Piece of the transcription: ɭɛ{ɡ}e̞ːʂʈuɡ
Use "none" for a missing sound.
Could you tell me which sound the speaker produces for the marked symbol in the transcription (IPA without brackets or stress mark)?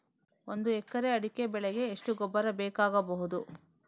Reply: ɡ